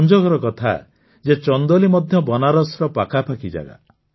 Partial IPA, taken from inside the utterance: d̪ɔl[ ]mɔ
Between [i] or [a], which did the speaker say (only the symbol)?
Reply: i